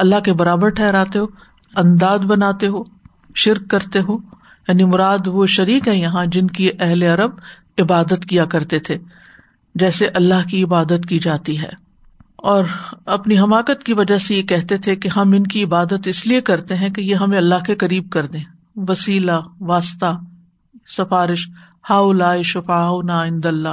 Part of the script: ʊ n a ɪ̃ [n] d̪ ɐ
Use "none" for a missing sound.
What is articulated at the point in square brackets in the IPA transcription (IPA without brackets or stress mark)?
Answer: n